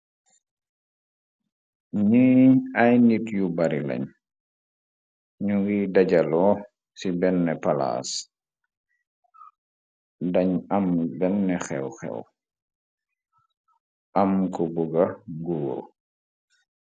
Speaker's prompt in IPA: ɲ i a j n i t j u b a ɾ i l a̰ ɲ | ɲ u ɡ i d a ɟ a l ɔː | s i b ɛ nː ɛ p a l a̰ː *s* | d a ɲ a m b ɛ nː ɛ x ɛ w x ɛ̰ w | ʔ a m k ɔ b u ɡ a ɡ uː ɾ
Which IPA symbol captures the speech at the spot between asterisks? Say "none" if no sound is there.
s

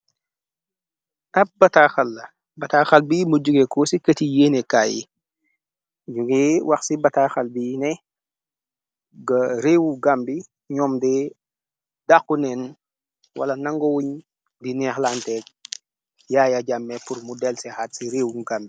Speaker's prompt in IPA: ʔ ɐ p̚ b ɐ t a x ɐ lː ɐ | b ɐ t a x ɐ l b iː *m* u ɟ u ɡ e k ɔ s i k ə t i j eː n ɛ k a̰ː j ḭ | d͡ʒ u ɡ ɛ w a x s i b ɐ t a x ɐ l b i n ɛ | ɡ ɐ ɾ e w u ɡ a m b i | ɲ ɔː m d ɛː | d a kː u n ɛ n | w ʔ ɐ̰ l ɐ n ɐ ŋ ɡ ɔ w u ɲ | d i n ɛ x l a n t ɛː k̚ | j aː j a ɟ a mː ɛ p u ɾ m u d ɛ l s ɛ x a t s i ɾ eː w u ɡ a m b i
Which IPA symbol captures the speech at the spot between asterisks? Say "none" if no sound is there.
m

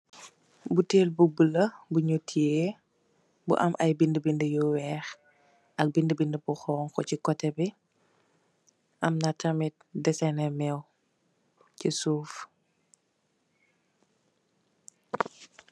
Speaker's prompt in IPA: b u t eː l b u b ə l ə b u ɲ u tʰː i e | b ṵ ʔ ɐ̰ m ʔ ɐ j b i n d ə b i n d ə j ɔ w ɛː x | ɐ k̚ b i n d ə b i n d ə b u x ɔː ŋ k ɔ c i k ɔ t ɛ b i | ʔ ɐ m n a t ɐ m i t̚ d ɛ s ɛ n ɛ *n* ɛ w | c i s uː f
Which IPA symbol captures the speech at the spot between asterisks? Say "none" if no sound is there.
m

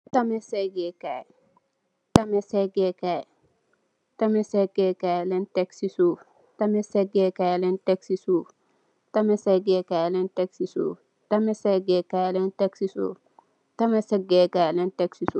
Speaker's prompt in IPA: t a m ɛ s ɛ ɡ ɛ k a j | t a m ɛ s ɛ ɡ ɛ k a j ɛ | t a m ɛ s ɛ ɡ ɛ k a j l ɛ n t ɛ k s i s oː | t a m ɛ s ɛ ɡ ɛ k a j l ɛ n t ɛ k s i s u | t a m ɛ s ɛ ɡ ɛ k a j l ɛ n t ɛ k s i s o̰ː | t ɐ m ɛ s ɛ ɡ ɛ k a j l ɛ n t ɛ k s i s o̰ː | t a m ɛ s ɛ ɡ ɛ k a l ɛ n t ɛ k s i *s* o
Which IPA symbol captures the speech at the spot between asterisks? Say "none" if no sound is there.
s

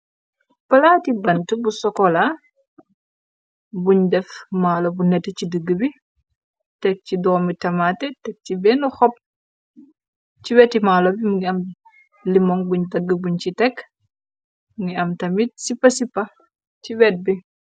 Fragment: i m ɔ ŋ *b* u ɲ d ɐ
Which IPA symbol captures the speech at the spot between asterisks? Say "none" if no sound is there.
b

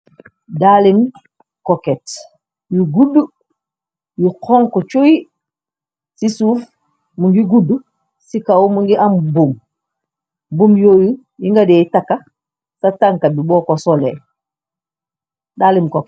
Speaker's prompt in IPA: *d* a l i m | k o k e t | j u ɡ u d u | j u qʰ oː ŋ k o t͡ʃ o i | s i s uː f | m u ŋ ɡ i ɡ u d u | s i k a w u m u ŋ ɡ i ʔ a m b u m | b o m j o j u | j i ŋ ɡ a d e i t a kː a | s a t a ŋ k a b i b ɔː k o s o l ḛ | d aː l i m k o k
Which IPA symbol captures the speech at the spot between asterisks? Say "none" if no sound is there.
d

